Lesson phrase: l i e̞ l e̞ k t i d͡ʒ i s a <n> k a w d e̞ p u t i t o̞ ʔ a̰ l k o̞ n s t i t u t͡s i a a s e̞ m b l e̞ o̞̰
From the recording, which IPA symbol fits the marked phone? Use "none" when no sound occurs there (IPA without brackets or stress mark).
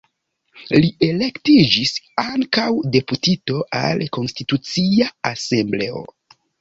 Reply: ŋ